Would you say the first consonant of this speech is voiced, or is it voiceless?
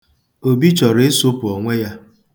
voiced